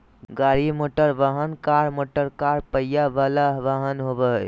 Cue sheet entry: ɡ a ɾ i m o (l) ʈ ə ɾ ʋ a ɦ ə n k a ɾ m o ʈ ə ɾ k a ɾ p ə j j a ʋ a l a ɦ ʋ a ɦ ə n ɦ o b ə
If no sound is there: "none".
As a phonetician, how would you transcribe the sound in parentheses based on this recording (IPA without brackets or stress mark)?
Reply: none